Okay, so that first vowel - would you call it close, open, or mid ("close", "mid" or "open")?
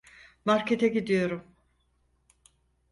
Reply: open